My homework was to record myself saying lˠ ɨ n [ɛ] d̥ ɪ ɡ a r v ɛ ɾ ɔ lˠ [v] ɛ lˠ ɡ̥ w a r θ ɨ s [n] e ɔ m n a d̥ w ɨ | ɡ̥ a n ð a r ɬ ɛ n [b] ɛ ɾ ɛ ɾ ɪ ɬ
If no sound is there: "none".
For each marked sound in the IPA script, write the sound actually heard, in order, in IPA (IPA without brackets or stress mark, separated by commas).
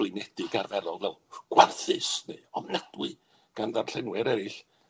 ɛ, v, n, w